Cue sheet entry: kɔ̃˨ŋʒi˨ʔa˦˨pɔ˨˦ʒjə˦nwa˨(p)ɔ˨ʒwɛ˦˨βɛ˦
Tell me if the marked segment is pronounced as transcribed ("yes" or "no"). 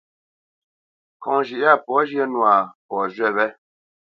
yes